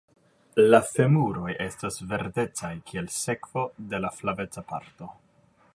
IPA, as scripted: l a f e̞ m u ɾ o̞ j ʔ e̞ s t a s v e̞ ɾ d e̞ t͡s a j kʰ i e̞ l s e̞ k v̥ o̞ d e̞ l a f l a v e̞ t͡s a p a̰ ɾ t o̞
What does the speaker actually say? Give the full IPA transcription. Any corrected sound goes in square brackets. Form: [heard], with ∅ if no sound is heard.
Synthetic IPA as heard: l a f e̞ m u ɾ o̞ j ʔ e̞ s t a s v e̞ ɾ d e̞ t͡s a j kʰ i e̞ l s e̞ k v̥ o̞ d e̞ l a f l a v e̞ t͡s a p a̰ ɾ t o̞